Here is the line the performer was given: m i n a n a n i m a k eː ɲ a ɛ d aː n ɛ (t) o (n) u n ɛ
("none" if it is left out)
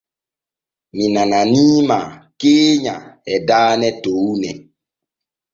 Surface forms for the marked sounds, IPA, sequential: t, none

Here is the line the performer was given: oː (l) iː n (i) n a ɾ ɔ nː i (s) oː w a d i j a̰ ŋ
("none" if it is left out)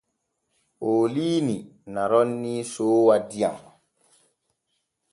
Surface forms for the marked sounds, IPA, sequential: l, i, s

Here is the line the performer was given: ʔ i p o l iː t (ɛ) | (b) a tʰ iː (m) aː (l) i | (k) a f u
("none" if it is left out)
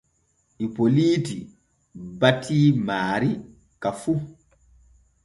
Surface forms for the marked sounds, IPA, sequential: i, b, m, ɾ, k

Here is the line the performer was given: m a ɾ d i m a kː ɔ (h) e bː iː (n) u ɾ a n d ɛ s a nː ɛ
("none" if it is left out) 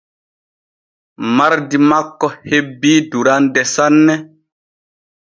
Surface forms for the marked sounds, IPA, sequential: h, d

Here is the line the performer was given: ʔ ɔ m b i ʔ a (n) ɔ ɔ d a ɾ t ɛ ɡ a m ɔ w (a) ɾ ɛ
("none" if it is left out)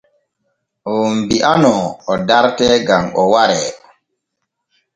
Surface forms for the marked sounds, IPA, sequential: n, a

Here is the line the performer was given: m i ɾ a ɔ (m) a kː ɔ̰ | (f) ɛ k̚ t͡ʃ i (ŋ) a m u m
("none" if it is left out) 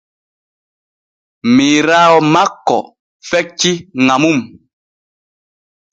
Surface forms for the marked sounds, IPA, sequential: m, f, ŋ

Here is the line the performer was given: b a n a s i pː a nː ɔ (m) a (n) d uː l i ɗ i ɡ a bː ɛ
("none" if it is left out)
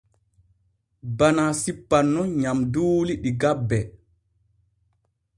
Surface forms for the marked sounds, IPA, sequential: ɲ, m

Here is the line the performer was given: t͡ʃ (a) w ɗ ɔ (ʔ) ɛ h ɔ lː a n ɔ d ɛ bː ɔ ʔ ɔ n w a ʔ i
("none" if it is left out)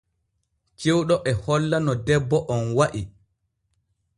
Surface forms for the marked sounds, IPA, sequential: e, ʔ

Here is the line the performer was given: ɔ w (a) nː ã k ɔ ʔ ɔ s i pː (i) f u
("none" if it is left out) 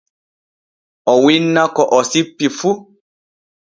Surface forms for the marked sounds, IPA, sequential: i, i

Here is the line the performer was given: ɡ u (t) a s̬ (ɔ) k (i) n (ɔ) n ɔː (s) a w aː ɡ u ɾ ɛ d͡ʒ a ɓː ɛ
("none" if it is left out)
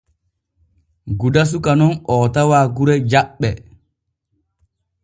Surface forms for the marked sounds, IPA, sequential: d, u, a, ɔ, t

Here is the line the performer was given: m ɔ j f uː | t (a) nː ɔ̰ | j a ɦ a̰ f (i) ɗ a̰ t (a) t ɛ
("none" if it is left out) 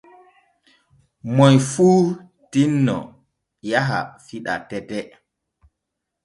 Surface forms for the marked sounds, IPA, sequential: i, i, ɛ

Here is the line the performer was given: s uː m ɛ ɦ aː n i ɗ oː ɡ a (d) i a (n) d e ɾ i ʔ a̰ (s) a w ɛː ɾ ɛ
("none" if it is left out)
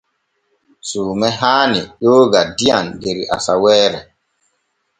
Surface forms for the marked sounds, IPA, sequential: d, n, s

